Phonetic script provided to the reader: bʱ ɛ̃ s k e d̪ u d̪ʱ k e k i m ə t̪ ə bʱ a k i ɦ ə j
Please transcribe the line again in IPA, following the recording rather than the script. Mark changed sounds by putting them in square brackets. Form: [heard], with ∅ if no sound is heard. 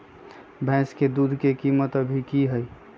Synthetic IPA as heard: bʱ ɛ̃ s k e d̪ u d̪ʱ k e k i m ə t̪ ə bʱ [i] k i ɦ ə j